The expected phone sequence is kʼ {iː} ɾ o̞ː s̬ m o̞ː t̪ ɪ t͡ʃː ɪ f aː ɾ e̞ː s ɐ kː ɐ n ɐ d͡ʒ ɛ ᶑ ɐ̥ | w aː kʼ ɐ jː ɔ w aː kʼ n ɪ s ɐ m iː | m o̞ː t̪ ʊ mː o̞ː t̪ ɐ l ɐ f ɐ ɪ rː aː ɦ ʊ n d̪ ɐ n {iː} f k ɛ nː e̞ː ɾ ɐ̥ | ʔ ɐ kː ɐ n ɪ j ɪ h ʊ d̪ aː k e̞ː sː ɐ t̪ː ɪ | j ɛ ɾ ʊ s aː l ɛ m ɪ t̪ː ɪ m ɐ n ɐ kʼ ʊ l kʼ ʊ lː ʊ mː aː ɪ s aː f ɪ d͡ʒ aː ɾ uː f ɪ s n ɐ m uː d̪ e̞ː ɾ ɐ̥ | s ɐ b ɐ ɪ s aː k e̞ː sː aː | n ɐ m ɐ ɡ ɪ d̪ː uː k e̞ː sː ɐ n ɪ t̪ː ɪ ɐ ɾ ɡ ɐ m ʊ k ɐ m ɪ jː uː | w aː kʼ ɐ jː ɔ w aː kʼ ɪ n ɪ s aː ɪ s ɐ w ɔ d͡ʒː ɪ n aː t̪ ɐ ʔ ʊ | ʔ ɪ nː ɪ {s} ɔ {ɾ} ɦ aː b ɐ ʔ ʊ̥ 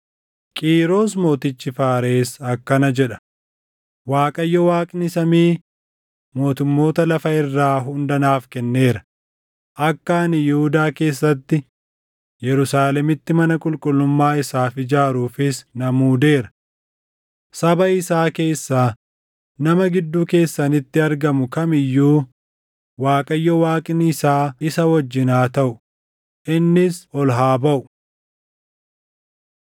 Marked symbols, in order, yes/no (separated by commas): yes, no, yes, no